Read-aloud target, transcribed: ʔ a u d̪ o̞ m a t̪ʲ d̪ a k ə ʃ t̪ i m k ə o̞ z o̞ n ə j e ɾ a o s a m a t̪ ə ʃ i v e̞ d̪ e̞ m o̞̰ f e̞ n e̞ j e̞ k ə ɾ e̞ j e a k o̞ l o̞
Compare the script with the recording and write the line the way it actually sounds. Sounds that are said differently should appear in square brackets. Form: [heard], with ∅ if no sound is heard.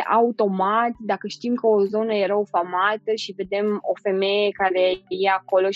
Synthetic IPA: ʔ a u [t̪] o̞ m a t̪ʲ d̪ a k ə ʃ t̪ i m k ə o̞ z o̞ n ə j e ɾ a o [f] a m a t̪ ə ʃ i v e̞ d̪ e̞ m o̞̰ f e̞ [m] e̞ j e̞ k [a] ɾ e̞ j e a k o̞ l o̞